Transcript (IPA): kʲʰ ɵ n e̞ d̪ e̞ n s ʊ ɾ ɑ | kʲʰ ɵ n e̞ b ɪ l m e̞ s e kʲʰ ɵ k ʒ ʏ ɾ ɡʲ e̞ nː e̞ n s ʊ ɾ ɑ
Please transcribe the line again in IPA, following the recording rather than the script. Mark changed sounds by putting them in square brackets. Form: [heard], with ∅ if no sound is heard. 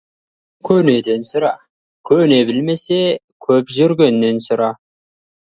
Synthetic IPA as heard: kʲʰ ɵ n e̞ d̪ e̞ n s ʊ ɾ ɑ | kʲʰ ɵ n e̞ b ɪ l m e̞ s e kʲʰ ɵ [p] ʒ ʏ ɾ ɡʲ e̞ nː e̞ n s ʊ ɾ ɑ